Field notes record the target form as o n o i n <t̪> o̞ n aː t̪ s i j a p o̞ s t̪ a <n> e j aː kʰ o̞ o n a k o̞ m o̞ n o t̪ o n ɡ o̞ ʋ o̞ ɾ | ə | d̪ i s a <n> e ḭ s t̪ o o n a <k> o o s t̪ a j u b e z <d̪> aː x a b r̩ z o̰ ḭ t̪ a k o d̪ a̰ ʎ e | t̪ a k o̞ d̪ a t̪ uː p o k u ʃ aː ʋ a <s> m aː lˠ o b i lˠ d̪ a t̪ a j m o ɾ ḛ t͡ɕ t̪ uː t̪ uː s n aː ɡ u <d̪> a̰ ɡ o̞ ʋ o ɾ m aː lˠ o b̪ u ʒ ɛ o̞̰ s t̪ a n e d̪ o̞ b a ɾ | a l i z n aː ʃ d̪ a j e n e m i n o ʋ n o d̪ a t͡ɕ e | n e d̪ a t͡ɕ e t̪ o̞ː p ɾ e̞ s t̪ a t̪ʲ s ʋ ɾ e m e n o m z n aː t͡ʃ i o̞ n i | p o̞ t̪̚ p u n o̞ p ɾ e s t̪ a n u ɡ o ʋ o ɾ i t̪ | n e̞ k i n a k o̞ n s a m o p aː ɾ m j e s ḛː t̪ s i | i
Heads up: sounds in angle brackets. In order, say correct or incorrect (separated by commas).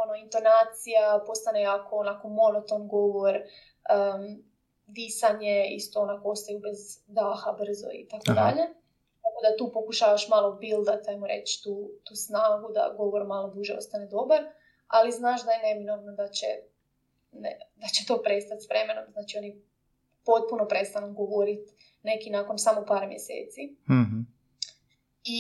correct, correct, incorrect, correct, correct, incorrect, correct